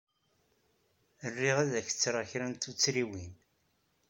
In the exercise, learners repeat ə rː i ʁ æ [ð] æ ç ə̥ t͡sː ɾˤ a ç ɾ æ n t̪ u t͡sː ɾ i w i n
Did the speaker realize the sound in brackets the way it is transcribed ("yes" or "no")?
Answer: yes